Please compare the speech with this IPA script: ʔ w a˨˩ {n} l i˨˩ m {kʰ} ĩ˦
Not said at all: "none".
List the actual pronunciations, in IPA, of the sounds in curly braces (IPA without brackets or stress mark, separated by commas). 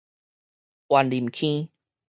n, kʰ